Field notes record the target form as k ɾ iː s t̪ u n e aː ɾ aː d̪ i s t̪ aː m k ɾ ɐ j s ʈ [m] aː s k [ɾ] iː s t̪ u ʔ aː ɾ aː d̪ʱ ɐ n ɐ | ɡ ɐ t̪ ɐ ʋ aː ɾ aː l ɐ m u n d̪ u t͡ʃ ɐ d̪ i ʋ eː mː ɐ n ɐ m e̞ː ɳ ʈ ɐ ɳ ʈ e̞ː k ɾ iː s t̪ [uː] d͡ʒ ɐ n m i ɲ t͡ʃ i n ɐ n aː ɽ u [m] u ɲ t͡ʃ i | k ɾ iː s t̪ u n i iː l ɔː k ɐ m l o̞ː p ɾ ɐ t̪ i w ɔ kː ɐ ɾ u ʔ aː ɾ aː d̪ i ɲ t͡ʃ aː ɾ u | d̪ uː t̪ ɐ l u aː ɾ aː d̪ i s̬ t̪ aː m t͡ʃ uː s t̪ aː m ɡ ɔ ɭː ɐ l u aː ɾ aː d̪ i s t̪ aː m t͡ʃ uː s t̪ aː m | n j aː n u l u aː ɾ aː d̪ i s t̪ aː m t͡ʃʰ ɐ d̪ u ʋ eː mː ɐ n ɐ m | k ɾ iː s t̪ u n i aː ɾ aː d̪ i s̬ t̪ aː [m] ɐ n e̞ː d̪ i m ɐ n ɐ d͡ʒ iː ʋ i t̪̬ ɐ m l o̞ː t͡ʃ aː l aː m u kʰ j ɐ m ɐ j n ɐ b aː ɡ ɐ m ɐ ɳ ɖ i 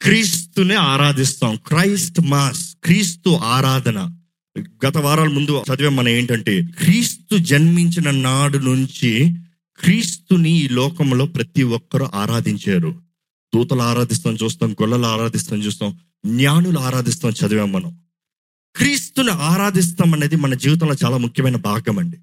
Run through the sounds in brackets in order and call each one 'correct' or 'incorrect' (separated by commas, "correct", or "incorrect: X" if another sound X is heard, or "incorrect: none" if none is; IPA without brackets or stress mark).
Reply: correct, correct, incorrect: u, incorrect: n, correct